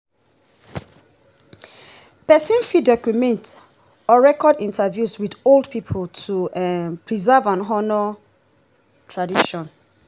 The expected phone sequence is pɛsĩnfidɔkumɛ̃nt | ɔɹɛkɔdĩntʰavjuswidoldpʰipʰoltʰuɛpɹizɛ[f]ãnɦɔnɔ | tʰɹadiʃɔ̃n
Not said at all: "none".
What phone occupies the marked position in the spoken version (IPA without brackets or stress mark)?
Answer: v